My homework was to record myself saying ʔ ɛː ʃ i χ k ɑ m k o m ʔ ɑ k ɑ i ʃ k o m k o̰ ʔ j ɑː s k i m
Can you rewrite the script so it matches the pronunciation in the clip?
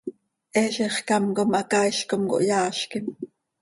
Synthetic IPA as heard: ʔ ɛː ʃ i χ k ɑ m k o m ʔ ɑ k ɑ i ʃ k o m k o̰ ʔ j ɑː ʃ k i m

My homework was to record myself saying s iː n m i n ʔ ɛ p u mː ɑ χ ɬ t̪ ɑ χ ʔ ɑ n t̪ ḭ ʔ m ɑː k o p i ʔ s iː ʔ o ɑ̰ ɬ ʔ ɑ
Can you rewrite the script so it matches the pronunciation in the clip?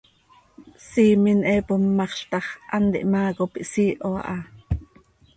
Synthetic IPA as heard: s iː m i n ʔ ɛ p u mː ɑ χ ɬ t̪ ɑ χ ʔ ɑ n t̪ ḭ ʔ m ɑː k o p i ʔ s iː ʔ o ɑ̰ ʔ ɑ

